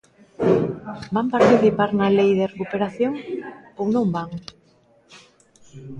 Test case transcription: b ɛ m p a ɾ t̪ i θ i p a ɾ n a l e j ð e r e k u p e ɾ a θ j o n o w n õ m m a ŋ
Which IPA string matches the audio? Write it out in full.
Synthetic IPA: b a m p a ɾ t̪ i θ i p a ɾ n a l e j ð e r e k u p e ɾ a θ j o ŋ o w n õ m b a ŋ